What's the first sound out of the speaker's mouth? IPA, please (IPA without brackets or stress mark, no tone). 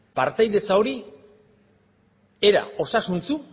p